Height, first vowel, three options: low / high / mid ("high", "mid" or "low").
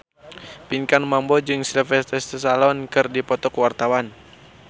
high